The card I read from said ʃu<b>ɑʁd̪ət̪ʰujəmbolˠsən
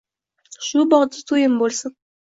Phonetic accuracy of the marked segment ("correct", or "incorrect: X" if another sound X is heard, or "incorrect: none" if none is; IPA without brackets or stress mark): correct